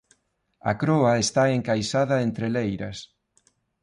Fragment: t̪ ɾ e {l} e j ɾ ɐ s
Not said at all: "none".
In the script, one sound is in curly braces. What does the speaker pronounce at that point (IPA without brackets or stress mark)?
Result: l